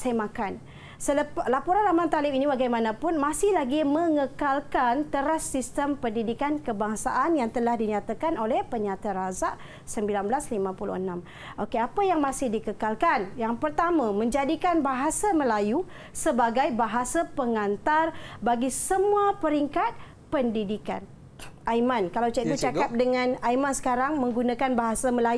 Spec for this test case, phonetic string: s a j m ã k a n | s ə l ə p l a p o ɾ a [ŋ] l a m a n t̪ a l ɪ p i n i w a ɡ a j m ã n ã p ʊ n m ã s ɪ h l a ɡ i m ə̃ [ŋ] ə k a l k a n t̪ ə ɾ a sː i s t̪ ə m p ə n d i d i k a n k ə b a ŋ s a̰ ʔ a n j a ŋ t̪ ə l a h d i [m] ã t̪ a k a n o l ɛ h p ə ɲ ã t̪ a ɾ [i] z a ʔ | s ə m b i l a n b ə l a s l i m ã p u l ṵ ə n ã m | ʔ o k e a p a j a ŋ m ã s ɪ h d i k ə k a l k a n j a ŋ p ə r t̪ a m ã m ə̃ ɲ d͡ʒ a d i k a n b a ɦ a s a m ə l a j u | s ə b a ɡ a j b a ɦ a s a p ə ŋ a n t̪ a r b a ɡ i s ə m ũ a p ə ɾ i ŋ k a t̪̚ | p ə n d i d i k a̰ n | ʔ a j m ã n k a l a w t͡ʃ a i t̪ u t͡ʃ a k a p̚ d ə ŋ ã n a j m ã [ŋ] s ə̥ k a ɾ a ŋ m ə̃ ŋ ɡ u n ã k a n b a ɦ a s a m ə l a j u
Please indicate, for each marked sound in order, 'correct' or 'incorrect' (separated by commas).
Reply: incorrect, correct, incorrect, incorrect, incorrect